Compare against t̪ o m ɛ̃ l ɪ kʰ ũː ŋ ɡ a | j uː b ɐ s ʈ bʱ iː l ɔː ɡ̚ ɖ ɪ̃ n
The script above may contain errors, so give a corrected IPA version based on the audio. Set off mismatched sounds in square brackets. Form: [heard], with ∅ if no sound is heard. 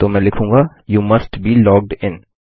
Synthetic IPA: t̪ o m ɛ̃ l ɪ kʰ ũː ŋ ɡ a | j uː [m] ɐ s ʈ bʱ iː l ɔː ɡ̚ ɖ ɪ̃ n